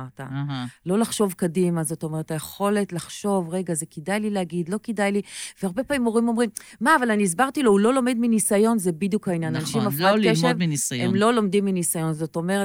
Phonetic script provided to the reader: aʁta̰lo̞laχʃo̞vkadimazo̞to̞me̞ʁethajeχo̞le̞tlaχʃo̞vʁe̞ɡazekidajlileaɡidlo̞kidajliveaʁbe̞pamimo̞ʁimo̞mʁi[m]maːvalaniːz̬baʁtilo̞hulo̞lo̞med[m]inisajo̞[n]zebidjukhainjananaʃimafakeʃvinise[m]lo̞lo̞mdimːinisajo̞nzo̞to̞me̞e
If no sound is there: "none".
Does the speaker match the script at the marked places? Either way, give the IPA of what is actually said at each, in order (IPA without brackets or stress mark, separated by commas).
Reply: m, m, n, m